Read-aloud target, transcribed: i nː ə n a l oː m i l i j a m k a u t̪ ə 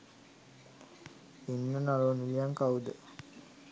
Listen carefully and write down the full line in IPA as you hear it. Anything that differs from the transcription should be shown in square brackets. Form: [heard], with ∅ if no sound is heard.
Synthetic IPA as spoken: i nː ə n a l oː [n] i l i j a [ŋ] k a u [d̪] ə